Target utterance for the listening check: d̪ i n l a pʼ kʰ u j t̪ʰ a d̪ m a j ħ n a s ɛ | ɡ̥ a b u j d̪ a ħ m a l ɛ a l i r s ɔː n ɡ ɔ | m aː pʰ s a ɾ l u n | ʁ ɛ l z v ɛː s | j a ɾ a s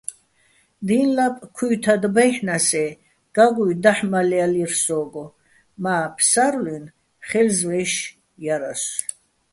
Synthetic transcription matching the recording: d̪ i n l a pʼ kʰ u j t̪ʰ a d̪ b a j ħ n a s ɛ | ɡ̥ a ɡ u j d̪ a ħ m a l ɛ a l i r s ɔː ɡ ɔ | m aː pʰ s a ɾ l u n | χ ɛ l z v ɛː ʃ | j a ɾ a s

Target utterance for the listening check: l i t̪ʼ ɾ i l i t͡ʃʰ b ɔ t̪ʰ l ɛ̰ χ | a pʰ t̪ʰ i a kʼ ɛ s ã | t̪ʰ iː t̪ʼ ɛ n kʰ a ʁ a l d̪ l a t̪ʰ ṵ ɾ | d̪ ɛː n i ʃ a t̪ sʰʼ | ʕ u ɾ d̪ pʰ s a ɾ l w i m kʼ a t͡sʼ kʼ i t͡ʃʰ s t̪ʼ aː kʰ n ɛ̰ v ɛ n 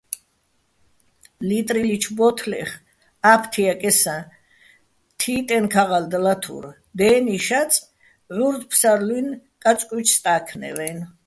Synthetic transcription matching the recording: l i t̪ʼ ɾ i l i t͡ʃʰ b ɔ t̪ʰ l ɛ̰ χ | a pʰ t̪ʰ i a kʼ ɛ s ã | t̪ʰ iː t̪ʼ ɛ n kʰ a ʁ a l d̪ l a t̪ʰ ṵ ɾ | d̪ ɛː n i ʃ a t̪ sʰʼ | ʕ u ɾ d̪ pʰ s a ɾ l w i n kʼ a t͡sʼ kʼ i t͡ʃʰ s t̪ʼ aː kʰ n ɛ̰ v ɛ n

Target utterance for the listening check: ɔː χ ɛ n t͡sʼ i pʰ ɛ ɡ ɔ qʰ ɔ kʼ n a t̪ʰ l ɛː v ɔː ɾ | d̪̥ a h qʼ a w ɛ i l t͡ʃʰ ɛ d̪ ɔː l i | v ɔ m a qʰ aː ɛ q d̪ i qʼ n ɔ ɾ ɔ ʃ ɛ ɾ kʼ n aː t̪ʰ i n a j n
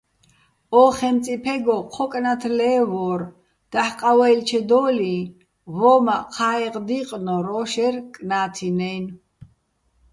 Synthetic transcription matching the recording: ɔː χ ɛ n t͡sʼ i pʰ ɛ ɡ ɔ qʰ ɔ kʼ n a t̪ʰ l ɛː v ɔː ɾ | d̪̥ a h qʼ a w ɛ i l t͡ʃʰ ɛ d̪ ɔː l i | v ɔ m a qʰ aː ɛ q d̪ i qʼ n ɔ ɾ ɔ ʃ ɛ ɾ kʼ n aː t̪ʰ i n ɛ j n

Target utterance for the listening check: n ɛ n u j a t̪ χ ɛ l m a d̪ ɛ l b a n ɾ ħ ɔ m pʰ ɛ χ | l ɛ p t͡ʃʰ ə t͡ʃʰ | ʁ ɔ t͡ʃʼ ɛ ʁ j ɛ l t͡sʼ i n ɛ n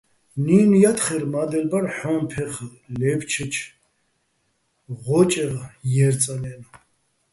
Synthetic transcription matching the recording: n i n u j a t̪ χ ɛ ɾ m a d̪ ɛ l b a ɾ ħ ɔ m pʰ ɛ χ | l ɛ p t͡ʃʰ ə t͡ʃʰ | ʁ ɔ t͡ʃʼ ɛ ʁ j ɛ ɾ t͡sʼ a n ɛ n

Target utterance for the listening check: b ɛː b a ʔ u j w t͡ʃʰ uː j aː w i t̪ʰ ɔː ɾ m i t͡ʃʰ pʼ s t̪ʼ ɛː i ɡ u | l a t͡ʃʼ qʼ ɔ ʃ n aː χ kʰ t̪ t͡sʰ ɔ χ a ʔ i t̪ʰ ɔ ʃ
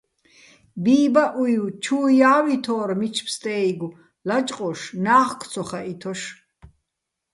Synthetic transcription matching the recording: b iː b a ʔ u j w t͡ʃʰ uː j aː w i t̪ʰ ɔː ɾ m i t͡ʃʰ p s t̪ʼ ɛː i ɡ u | l a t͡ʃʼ qʼ ɔ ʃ n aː χ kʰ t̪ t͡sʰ ɔ χ a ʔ i t̪ʰ ɔ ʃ

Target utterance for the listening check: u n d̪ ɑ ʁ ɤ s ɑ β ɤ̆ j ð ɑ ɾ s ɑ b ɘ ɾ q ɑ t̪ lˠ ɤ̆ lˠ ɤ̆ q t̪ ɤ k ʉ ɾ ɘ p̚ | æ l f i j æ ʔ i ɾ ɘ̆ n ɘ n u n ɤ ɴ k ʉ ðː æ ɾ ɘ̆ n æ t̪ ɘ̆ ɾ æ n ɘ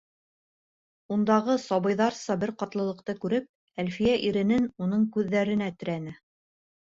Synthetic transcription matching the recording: u n d̪ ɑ ʁ ɤ s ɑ β ɤ̆ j ð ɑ ɾ s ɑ b ɘ ɾ q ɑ t̪ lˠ ɤ̆ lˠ ɤ̆ q t̪ ɤ k ʉ ɾ ɘ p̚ | æ l f i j æ ʔ i ɾ ɘ̆ n ɘ n u n ɤ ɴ k ʉ ðː æ ɾ ɘ̆ n æ t̪ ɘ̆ ɾ æ n ɘ

